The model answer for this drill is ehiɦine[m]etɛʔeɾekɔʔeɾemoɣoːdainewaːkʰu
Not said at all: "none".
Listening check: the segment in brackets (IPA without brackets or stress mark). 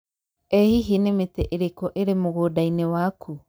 m